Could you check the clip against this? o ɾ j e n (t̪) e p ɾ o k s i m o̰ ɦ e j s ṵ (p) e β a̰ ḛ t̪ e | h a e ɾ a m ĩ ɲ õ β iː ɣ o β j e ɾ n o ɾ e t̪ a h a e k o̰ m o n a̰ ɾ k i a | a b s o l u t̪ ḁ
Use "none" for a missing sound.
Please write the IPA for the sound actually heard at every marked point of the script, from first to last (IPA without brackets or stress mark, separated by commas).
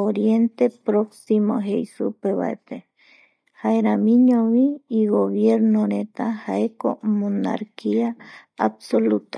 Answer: t̪, p